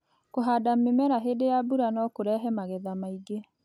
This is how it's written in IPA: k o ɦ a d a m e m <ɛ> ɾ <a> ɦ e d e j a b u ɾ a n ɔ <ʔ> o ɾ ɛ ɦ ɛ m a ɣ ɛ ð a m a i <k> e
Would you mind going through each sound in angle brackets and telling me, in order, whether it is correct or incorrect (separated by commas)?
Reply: correct, correct, incorrect, incorrect